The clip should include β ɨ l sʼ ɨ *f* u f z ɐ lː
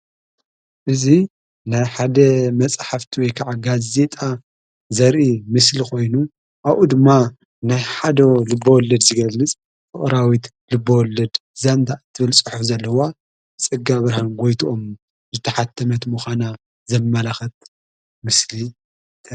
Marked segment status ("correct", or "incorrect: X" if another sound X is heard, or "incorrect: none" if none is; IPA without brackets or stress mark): incorrect: ħ